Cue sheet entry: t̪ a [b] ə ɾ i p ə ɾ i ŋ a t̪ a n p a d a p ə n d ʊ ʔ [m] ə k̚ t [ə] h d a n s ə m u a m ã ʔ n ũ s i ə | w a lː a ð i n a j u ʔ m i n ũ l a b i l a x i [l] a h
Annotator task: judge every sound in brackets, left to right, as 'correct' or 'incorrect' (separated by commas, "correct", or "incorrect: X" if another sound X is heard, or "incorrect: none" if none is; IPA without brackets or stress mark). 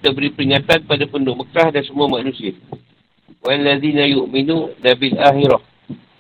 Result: correct, correct, incorrect: a, incorrect: ɾ